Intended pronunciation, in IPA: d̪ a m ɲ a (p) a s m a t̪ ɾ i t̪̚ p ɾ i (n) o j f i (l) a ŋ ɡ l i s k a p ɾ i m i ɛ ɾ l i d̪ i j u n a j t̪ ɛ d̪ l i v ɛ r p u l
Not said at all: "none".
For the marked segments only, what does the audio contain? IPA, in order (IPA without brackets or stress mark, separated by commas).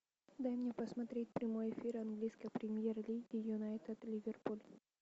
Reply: p, m, ɾ